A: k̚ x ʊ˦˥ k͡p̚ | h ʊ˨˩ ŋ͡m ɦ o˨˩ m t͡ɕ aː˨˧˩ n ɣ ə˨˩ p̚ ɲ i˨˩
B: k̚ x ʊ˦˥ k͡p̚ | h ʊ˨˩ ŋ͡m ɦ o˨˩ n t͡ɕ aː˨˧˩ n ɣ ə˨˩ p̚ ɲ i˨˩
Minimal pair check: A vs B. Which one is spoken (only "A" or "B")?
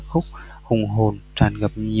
B